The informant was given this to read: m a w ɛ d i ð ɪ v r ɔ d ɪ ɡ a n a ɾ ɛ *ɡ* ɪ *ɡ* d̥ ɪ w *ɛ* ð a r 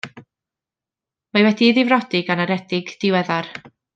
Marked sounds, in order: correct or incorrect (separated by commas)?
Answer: incorrect, correct, correct